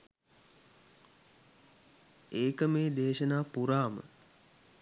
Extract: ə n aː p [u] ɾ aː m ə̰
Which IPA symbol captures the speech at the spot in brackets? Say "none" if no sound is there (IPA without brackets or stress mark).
u